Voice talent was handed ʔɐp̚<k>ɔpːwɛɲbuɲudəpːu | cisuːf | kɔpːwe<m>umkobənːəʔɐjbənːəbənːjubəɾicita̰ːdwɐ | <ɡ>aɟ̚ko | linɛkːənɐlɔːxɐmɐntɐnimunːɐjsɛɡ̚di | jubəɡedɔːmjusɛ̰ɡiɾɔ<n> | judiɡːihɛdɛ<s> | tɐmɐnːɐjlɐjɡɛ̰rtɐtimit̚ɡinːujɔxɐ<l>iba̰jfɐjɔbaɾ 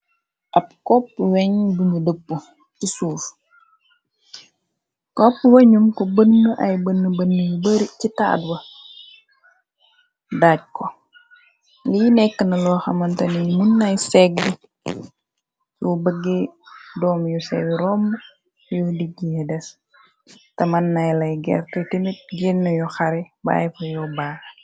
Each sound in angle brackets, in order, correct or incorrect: correct, incorrect: ɲ, incorrect: d, incorrect: m, correct, incorrect: ɾ

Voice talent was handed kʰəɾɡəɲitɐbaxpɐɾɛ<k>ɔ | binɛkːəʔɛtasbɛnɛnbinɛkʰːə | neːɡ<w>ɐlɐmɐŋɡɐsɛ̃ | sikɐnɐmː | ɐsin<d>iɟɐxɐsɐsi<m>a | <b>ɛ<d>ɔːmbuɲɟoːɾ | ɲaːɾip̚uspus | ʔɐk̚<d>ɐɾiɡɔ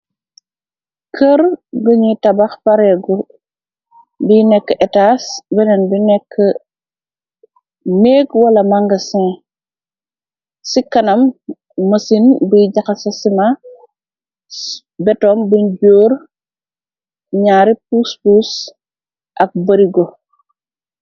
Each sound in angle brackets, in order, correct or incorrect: incorrect: ɡ, correct, incorrect: b, correct, correct, incorrect: t, incorrect: b

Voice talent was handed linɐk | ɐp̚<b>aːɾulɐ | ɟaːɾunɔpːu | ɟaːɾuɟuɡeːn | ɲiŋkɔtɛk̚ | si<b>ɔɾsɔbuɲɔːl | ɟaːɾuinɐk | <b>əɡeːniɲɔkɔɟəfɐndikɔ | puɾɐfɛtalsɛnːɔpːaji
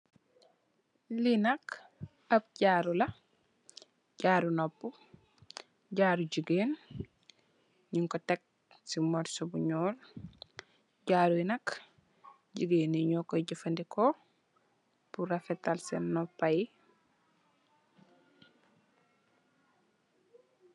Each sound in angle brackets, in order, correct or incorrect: incorrect: ɟ, incorrect: m, incorrect: ɟ

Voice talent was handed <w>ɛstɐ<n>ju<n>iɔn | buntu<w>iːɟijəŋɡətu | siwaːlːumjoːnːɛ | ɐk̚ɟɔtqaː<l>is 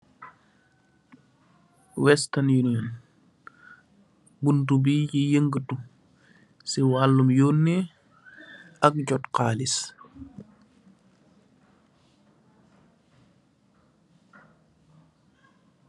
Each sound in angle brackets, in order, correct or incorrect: correct, correct, correct, incorrect: b, correct

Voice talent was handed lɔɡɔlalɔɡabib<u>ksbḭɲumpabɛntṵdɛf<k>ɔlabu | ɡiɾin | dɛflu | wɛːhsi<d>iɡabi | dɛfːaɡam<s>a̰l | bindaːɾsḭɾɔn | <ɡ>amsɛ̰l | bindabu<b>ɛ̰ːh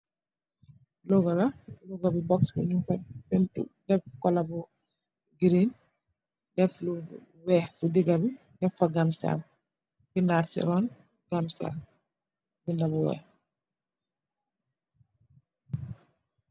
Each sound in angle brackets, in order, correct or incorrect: incorrect: ɔ, correct, correct, correct, correct, incorrect: w

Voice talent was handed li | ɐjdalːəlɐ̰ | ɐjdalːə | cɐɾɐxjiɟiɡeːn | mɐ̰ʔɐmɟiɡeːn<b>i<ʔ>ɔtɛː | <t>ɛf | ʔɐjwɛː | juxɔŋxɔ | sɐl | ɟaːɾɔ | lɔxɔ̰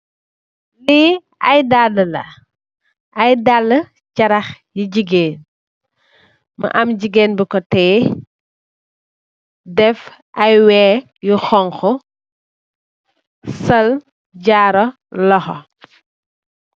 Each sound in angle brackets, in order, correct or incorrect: correct, incorrect: k, incorrect: d

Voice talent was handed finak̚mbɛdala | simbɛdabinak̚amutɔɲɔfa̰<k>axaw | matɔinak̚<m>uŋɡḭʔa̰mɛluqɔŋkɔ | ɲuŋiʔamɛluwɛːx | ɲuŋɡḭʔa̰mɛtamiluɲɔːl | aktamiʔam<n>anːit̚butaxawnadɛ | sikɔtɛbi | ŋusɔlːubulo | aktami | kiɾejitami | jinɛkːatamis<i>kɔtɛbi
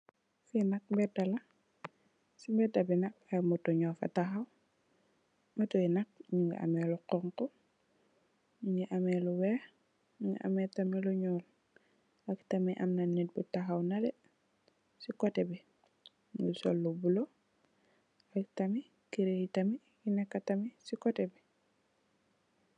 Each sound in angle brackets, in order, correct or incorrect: incorrect: t, incorrect: ɲ, correct, correct

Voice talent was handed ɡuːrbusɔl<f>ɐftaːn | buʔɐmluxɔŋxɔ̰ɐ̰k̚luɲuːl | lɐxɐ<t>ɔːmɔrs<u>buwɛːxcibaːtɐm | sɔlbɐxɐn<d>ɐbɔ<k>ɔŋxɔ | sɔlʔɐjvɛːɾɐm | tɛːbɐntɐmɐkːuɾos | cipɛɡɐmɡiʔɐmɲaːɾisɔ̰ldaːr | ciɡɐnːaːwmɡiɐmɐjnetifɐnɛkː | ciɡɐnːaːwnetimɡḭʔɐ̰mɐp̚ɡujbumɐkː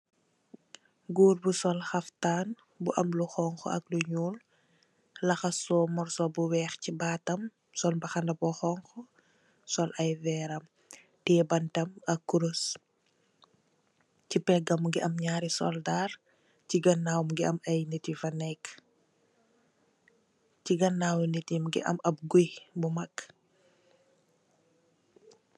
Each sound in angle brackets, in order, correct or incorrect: incorrect: x, incorrect: s, incorrect: ɔ, correct, incorrect: x

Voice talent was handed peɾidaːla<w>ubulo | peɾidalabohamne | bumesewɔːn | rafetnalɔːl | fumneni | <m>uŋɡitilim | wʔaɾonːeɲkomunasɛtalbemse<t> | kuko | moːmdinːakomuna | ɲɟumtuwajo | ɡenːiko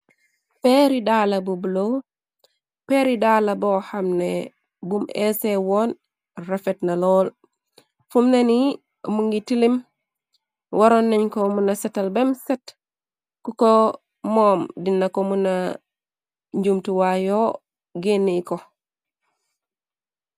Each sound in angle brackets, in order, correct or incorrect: incorrect: b, correct, correct

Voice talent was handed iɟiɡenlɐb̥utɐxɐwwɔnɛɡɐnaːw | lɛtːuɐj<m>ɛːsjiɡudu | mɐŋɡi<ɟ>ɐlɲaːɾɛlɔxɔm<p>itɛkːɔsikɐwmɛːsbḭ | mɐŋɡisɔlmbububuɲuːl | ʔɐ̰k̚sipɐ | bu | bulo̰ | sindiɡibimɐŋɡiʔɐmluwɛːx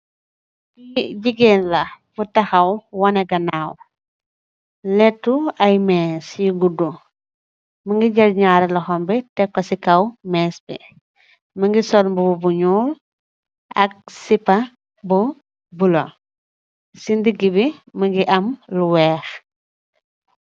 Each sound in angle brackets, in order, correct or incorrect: correct, correct, incorrect: b

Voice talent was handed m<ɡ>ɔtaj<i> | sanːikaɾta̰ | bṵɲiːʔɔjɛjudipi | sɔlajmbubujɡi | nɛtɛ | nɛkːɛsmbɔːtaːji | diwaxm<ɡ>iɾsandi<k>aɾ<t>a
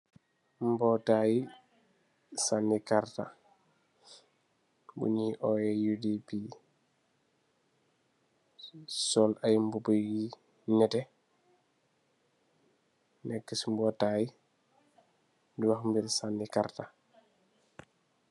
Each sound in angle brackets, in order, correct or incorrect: incorrect: b, correct, incorrect: b, correct, correct

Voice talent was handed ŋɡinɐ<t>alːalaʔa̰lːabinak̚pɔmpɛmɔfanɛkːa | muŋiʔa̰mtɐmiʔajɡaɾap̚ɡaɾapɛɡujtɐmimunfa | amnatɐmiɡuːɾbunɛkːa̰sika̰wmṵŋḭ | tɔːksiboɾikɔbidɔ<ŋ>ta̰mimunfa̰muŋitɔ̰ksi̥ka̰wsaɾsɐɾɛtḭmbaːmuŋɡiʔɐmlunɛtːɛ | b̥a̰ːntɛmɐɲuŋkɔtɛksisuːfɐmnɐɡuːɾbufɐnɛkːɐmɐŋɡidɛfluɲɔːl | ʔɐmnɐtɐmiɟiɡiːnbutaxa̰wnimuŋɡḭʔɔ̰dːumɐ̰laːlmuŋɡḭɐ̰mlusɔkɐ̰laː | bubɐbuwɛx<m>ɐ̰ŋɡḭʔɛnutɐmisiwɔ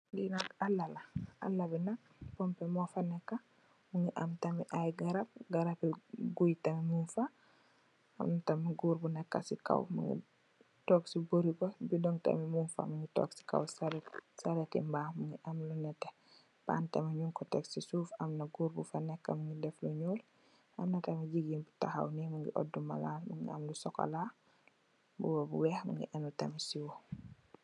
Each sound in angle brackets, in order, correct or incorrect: incorrect: k, correct, correct

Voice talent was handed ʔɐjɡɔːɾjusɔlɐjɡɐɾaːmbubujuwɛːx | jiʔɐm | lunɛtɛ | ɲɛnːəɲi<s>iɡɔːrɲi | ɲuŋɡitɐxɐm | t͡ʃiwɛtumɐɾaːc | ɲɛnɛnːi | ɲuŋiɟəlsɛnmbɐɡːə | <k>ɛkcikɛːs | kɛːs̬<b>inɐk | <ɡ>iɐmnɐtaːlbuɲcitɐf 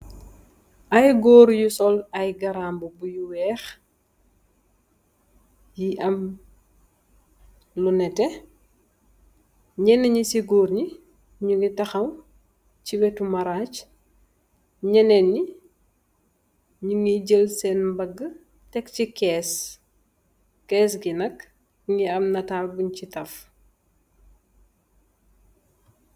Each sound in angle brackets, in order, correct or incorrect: correct, incorrect: t, incorrect: ɡ, incorrect: ŋ

